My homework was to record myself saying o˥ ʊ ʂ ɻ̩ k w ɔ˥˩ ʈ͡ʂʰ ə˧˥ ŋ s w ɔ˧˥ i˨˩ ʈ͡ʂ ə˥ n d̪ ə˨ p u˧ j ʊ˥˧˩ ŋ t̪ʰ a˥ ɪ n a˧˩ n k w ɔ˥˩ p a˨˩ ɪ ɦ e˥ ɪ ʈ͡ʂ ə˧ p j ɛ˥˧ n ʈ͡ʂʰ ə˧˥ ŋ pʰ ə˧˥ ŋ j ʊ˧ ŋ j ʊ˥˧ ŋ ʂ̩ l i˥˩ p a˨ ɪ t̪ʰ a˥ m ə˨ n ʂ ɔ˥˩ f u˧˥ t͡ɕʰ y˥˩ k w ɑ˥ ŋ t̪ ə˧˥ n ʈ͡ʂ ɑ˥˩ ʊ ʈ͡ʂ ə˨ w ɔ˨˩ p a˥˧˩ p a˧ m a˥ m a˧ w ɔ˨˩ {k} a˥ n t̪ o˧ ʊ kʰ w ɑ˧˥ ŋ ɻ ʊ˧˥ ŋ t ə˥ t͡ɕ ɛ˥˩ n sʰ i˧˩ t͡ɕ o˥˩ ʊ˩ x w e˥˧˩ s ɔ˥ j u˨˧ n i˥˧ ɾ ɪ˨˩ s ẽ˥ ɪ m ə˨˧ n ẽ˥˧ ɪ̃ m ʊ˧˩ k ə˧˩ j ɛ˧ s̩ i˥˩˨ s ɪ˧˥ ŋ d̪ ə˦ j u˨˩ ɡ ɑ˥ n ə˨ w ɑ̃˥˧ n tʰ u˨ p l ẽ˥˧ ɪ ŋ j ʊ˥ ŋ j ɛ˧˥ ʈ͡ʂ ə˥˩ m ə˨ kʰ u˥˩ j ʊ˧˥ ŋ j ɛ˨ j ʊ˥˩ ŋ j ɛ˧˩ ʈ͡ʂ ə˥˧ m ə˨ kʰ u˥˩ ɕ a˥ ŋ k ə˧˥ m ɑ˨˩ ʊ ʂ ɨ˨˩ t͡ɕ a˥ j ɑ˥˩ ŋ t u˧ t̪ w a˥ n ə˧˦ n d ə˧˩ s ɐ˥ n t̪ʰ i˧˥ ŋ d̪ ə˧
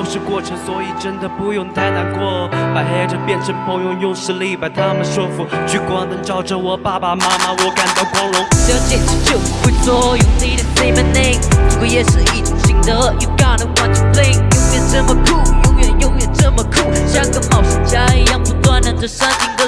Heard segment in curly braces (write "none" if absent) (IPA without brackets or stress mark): k